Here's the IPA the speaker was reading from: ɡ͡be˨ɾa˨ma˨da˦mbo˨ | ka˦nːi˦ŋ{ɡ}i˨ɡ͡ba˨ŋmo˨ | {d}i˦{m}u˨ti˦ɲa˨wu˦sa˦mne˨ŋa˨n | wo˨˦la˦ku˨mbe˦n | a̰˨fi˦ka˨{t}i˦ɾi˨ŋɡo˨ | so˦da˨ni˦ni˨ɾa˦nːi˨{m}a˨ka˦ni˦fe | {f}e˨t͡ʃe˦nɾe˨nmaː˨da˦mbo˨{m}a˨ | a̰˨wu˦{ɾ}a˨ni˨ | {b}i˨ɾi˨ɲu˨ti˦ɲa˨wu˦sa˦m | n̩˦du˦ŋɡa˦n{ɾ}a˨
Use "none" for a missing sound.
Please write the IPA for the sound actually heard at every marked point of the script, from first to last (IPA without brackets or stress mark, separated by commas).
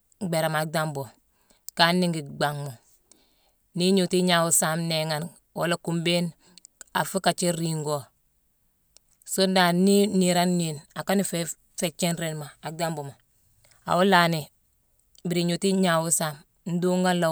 ɡ, n, ɲ, t͡ʃ, n, f, m, l, b, l